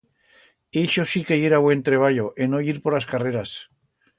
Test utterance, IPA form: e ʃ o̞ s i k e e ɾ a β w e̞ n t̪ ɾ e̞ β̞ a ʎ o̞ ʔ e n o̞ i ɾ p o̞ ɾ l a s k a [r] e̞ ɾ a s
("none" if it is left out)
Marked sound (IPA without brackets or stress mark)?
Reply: r